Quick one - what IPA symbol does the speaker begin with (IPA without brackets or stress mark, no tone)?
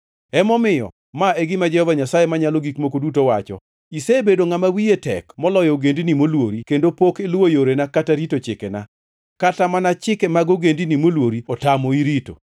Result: ɛ